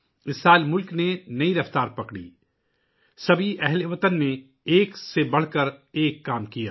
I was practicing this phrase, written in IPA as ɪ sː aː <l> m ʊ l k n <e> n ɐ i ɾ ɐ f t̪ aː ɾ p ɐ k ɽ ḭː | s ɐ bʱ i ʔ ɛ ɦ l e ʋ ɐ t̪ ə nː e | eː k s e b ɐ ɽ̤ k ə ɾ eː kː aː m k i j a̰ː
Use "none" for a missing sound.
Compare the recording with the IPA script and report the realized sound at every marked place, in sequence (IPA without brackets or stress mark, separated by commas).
l, e